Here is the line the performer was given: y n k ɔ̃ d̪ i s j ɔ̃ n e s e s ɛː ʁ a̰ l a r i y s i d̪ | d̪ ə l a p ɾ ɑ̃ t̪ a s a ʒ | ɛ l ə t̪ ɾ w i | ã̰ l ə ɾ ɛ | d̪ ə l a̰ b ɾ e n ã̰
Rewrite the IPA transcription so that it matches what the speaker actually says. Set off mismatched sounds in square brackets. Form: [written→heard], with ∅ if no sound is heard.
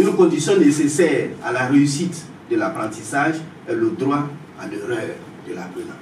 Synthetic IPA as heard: y n k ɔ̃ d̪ i s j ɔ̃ n e s e s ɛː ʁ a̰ l a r [i→e] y s i [d̪→t̪] | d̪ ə l a p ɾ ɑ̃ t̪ [a→i] s a ʒ | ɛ l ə [t̪→d̪] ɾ w [i→a] | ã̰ l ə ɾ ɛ | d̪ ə l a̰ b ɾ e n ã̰

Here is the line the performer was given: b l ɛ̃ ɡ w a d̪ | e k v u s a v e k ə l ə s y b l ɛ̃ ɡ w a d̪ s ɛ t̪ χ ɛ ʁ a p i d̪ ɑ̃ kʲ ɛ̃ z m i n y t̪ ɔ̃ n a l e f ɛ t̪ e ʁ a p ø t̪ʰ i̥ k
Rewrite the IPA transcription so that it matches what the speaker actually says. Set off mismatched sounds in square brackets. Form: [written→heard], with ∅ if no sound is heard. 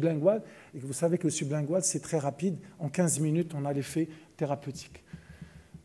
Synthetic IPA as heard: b l ɛ̃ ɡ w a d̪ | e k v u s a v e k ə l ə s y b l ɛ̃ ɡ w a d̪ s ɛ t̪ χ ɛ ʁ a p i d̪ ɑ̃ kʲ ɛ̃ z m i n y t̪ ɔ̃ n a l e f ɛ t̪ e ʁ a p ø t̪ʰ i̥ k

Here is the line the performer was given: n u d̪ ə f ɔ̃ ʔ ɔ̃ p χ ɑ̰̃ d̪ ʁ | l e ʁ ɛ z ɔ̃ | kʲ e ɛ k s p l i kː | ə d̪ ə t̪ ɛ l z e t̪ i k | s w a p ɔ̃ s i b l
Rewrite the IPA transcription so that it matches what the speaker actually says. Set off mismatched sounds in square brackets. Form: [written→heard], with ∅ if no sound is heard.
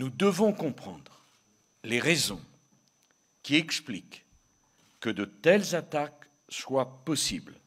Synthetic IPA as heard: n u d̪ ə [f→v] ɔ̃ [ʔ→k] ɔ̃ p χ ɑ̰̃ d̪ ʁ | l e ʁ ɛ z ɔ̃ | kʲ [e→i] ɛ k s p l i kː | ə d̪ ə t̪ ɛ l z [e→a] t̪ [i→a] k | s w a p [ɔ̃→ɔ] s i b l

